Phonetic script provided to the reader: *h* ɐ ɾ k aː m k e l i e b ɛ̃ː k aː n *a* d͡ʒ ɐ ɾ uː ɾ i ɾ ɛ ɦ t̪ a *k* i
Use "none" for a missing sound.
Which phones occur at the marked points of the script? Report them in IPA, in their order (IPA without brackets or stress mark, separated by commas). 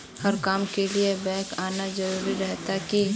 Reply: h, a, k